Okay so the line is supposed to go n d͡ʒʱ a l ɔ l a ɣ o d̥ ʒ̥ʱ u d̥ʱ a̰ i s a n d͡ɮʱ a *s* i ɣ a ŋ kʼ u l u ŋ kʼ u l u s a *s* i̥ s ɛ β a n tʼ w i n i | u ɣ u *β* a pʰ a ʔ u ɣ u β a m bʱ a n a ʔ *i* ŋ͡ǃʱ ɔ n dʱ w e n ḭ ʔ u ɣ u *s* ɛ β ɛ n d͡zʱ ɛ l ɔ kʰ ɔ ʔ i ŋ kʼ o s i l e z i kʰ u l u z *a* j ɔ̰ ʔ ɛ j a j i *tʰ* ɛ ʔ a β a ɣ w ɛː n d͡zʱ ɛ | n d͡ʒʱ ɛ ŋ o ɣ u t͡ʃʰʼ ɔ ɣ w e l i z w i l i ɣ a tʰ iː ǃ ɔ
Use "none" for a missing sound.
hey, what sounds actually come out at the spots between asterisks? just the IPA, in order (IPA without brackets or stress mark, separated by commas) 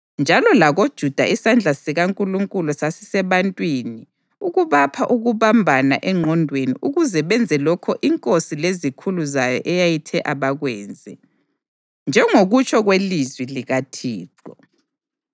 s, s, β, ɛ, z, a, tʰ